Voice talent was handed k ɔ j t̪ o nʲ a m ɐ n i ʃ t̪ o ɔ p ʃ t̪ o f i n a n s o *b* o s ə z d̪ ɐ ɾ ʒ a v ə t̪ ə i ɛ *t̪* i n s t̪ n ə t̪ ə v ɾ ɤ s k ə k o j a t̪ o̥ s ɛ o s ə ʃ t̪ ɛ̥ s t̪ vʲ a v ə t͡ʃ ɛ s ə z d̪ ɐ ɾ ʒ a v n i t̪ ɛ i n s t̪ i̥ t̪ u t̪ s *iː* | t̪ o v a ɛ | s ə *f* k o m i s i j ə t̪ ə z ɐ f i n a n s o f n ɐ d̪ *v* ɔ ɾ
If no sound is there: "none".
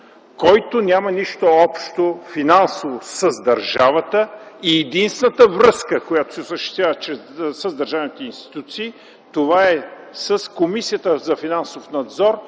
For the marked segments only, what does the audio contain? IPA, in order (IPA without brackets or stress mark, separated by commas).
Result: v, d̪, iː, s, z